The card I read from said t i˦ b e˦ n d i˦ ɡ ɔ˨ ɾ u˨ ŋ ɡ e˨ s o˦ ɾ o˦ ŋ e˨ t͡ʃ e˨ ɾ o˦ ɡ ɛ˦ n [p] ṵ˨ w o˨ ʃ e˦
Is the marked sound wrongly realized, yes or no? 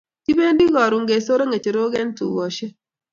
yes